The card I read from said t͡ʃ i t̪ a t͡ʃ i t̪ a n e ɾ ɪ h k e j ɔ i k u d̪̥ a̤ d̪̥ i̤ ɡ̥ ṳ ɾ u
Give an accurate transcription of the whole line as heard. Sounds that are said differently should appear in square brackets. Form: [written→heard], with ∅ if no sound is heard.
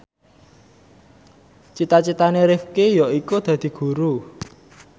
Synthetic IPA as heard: t͡ʃ i t̪ a t͡ʃ i t̪ a n e ɾ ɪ [h→f] k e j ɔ i k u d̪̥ a̤ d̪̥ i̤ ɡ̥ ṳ ɾ u